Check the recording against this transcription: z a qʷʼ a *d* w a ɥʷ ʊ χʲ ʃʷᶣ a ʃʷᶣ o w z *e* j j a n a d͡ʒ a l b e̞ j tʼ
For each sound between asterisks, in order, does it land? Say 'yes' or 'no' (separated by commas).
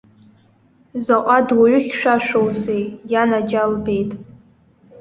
yes, yes